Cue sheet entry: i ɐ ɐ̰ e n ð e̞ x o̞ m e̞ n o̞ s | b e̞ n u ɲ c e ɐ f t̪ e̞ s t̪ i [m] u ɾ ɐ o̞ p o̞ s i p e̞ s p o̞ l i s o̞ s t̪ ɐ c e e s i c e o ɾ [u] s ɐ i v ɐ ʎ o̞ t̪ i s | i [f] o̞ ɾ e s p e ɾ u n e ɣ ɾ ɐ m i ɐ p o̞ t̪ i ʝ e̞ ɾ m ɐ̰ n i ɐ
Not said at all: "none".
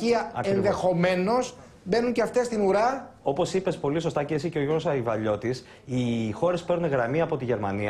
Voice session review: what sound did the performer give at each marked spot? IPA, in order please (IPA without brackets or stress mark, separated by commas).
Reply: n, o, x